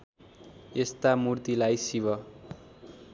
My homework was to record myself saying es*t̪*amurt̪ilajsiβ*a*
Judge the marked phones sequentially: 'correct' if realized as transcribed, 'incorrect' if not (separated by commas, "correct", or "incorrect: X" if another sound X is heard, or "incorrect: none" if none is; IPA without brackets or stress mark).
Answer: correct, incorrect: ʌ